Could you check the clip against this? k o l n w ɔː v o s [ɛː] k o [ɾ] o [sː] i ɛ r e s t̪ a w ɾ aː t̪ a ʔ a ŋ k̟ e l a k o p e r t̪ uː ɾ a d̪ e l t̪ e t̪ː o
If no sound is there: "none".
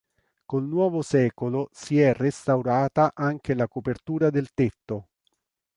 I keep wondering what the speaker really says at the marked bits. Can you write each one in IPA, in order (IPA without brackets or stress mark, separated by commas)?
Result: ɛː, l, s